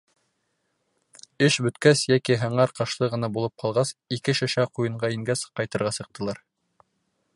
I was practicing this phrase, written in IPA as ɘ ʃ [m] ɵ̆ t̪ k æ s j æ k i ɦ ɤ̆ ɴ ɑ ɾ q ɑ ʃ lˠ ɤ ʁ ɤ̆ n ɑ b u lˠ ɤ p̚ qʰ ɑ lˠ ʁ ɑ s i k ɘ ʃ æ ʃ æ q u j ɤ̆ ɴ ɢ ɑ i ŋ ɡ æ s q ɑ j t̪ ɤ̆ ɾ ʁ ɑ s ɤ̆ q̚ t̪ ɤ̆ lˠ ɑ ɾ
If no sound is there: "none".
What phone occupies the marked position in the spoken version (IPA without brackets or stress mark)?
b